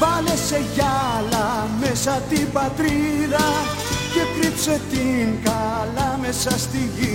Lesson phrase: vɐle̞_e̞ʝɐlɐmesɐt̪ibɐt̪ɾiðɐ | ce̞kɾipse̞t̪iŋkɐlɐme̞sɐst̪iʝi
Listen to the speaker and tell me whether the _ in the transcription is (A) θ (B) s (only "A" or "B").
B